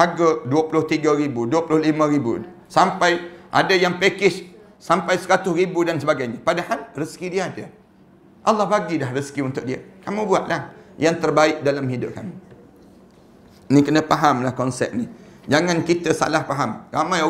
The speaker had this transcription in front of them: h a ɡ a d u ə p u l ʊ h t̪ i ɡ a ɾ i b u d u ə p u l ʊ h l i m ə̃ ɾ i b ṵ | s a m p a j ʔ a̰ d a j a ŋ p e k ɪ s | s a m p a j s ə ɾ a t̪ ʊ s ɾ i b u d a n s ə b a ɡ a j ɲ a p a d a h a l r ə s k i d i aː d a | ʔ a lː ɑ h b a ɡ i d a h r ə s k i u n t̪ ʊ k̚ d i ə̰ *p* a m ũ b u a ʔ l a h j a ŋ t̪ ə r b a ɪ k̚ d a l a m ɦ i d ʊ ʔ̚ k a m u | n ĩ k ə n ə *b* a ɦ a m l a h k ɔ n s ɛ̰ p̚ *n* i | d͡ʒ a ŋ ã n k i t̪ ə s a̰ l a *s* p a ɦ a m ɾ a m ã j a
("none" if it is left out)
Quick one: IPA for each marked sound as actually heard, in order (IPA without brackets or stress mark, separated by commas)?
k, p, n, h